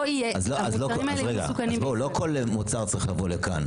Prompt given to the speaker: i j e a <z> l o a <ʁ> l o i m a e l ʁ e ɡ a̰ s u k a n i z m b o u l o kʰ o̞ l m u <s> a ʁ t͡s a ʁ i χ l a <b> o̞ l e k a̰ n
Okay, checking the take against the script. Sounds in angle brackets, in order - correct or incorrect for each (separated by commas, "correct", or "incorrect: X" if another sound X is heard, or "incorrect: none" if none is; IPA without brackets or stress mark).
correct, incorrect: z, incorrect: t͡s, incorrect: v